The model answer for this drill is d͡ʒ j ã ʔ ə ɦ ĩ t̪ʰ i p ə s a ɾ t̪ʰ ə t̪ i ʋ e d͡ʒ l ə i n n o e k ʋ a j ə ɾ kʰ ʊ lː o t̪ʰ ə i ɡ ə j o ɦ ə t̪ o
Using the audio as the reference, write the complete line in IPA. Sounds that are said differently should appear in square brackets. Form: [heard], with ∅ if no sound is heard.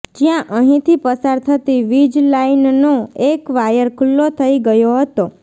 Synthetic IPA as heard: d͡ʒ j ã ʔ ə ɦ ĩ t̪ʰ i p ə s a ɾ t̪ʰ ə t̪ i ʋ [i] d͡ʒ l [a] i n n o e k ʋ a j ə ɾ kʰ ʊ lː o t̪ʰ ə i ɡ ə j o ɦ ə t̪ o